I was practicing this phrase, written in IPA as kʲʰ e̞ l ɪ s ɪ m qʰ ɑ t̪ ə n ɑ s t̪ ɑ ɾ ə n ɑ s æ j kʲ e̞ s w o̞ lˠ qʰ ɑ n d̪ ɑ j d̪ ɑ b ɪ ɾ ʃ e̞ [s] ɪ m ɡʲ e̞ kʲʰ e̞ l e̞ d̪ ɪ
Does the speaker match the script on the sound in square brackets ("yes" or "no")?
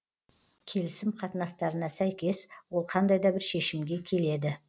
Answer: no